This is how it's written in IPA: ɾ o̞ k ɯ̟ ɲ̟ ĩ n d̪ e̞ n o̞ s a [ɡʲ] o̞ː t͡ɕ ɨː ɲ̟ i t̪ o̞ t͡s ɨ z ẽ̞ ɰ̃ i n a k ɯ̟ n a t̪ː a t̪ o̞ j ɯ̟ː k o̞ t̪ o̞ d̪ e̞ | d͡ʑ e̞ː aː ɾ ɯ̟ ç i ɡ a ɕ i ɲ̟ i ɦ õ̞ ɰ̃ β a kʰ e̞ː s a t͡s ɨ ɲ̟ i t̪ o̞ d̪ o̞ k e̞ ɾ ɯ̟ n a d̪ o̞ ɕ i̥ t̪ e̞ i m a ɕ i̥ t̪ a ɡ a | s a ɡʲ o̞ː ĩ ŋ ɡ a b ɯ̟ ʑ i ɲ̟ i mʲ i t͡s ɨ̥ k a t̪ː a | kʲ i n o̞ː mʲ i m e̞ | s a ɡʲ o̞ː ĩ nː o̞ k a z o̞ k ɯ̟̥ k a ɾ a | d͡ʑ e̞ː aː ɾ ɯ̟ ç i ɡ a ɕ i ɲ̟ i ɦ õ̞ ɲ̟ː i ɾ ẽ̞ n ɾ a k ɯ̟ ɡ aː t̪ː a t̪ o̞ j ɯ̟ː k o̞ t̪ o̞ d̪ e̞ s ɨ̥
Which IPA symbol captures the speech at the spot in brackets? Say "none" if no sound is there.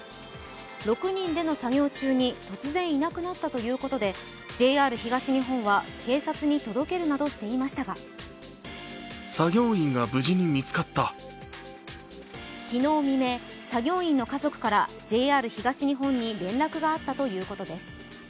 ɡʲ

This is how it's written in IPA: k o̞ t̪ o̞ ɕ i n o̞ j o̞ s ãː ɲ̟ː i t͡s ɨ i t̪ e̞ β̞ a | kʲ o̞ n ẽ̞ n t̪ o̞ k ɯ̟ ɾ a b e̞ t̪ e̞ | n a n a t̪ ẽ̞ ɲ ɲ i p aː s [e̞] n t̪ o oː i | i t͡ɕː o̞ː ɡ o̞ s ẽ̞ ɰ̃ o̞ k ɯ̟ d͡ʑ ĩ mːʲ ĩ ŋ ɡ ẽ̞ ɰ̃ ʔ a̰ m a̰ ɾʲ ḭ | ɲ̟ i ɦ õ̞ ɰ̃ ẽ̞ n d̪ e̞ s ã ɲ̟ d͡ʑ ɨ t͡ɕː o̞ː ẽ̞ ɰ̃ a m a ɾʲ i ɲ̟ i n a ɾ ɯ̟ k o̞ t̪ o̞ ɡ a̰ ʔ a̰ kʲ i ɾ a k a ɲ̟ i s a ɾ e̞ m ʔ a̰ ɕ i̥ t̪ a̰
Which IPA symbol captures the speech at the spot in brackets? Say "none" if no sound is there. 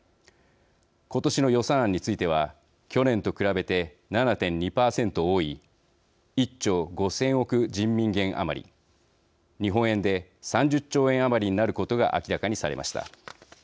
ẽ̞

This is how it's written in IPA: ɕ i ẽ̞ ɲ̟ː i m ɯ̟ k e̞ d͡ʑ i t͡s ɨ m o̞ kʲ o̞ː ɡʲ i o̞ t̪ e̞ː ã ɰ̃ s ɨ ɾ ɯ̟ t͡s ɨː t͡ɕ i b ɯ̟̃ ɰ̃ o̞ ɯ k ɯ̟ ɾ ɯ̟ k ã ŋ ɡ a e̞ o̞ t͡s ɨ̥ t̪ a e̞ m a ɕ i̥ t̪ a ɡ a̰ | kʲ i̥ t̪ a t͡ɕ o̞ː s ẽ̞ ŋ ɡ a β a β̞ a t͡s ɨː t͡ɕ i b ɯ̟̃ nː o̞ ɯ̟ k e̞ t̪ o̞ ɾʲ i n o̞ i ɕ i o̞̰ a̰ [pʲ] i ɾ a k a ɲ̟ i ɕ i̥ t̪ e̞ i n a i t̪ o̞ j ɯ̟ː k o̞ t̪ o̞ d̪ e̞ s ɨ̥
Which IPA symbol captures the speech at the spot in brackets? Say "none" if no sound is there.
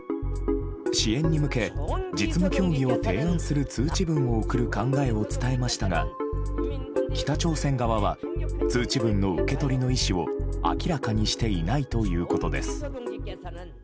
kʲ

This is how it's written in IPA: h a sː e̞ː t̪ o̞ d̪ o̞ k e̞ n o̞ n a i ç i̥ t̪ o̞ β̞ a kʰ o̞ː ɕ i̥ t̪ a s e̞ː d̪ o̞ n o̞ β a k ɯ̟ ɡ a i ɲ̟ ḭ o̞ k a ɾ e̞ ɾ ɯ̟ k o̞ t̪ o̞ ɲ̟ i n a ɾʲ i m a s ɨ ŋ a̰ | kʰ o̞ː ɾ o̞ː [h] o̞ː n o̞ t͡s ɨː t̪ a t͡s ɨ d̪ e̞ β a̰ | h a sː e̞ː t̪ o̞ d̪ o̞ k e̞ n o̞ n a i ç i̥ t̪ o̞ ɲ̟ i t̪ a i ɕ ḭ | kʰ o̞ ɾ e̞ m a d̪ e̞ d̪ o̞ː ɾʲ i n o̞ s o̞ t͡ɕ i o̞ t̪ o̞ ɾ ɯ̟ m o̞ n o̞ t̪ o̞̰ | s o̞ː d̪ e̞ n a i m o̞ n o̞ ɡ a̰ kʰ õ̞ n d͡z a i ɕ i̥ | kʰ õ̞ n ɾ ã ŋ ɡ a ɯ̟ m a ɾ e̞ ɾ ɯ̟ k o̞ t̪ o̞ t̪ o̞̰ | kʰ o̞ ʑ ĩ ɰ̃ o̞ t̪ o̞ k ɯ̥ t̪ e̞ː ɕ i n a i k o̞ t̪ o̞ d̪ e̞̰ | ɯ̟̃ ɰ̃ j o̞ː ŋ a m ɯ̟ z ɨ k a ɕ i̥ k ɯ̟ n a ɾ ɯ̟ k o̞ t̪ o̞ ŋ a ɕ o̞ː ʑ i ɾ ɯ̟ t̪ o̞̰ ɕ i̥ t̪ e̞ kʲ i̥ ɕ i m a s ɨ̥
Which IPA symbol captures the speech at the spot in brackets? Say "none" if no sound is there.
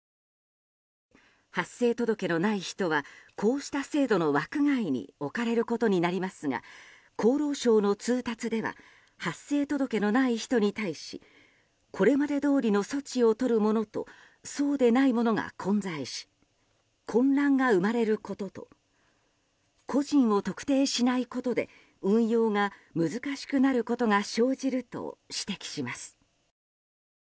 ɕ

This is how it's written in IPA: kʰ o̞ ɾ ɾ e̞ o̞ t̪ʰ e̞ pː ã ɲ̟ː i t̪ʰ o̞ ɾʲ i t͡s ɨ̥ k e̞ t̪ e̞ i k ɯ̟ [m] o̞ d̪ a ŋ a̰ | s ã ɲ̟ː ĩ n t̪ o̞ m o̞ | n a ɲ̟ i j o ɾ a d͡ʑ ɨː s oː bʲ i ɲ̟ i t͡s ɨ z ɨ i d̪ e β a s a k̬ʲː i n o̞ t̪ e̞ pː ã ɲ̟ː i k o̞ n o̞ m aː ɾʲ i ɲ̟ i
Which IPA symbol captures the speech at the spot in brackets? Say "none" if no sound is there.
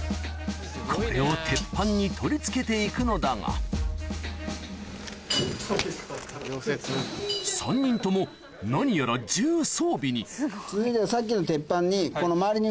n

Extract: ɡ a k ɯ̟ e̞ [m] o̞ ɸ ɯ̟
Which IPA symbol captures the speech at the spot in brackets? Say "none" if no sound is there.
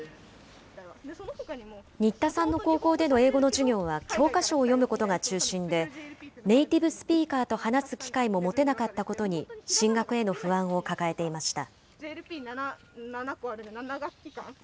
n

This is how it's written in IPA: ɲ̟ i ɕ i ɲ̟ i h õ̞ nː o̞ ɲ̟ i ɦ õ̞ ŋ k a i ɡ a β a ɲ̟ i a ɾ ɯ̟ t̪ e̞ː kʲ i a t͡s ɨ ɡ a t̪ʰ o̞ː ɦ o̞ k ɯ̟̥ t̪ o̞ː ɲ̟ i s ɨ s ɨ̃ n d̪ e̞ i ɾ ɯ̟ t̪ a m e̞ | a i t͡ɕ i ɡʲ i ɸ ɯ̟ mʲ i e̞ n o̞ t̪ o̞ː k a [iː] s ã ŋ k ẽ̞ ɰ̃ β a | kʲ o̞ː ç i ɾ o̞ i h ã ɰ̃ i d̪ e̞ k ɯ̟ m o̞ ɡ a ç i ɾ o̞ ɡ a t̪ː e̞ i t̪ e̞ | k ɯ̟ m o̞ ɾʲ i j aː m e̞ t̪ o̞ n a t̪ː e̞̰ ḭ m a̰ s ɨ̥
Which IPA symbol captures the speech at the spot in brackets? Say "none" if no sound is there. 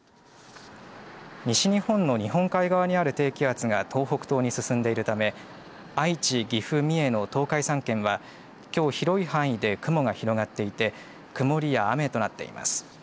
i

